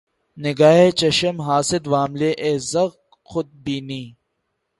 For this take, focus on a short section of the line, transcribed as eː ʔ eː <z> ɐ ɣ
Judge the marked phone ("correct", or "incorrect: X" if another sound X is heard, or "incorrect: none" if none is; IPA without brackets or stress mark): correct